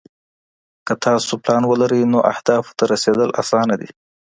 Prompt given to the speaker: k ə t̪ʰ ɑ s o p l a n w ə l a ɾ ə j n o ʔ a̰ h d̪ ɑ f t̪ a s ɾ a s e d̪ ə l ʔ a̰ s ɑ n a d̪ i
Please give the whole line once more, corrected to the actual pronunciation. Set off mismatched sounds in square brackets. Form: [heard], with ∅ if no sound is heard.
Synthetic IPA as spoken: k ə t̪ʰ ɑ s o p l [ɑ] n w ə l a ɾ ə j n o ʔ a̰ h d̪ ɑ f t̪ a [∅] ɾ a s e d̪ ə l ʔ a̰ s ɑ n a d̪ i